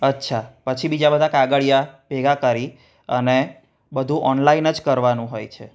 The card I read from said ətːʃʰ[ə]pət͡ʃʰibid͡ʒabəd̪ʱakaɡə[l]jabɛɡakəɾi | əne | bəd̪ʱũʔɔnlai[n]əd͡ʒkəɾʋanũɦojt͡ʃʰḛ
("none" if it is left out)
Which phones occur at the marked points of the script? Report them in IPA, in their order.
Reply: a, ɭ, n

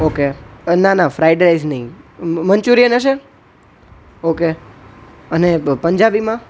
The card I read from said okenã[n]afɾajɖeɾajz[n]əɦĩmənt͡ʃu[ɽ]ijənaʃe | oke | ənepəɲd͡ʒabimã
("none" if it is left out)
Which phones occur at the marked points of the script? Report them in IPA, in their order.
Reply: n, n, ɾ

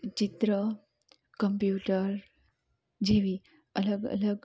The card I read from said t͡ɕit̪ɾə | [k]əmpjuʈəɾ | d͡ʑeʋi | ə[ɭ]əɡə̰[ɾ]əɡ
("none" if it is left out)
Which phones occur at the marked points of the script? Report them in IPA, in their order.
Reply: k, l, l

